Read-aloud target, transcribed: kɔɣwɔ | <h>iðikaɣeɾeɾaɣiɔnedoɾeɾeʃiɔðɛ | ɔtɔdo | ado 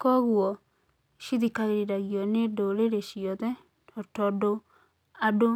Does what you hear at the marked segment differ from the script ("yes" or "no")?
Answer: yes